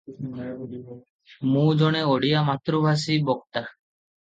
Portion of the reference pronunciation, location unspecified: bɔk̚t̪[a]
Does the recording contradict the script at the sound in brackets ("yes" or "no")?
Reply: no